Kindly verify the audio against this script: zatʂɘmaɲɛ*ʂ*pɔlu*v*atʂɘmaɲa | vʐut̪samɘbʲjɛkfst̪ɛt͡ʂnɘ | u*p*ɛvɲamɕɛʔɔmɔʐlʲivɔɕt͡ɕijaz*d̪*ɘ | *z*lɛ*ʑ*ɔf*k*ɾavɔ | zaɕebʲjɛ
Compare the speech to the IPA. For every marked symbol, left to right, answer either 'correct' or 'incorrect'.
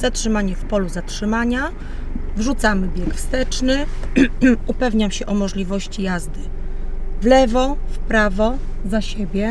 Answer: incorrect: f, incorrect: z, correct, correct, incorrect: v, incorrect: v, incorrect: p

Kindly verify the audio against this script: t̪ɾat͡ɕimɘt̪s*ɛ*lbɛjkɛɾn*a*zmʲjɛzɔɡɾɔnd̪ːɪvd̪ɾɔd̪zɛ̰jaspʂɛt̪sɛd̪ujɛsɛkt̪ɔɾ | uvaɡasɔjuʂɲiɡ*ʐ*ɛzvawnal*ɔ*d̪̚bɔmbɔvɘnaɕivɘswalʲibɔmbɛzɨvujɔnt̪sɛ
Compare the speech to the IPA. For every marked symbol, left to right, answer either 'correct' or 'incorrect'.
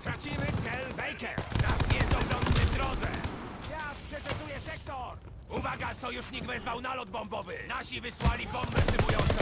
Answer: correct, correct, incorrect: v, correct

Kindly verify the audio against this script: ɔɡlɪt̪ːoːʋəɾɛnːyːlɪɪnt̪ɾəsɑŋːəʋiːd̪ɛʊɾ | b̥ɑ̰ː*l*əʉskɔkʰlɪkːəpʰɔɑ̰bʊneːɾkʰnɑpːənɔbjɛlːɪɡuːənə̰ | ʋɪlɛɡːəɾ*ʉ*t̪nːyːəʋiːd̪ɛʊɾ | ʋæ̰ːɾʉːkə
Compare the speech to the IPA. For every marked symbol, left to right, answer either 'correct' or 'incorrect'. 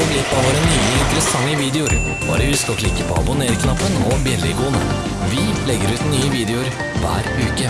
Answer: incorrect: ɾ, incorrect: ʉː

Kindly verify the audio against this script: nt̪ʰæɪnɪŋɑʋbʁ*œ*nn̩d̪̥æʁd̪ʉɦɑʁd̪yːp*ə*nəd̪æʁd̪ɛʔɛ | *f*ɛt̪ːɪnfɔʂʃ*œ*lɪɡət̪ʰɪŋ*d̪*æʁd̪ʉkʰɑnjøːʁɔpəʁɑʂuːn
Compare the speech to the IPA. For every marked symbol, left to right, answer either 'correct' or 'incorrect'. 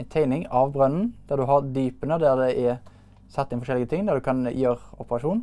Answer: correct, correct, incorrect: s, incorrect: ɛ, correct

